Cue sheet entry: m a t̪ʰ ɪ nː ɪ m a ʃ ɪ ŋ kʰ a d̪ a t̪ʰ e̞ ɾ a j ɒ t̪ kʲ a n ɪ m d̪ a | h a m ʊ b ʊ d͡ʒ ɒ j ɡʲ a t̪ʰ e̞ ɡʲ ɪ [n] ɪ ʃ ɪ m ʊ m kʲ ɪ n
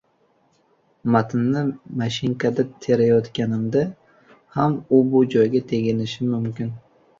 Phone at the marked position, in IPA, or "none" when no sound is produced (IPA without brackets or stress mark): n